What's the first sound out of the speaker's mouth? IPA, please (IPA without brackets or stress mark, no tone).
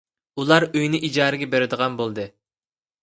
u